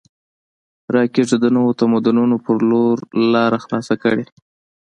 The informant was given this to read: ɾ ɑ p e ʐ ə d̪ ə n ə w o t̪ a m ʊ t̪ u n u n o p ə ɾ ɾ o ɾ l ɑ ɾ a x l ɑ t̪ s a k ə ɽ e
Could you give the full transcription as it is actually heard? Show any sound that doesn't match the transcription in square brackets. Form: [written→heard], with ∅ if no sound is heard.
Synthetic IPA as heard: ɾ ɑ [p→k] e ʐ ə d̪ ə n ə w o t̪ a m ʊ [t̪→d̪] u n u n o p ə ɾ [ɾ→l] o ɾ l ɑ ɾ a x l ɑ [t̪→∅] s a k ə ɽ e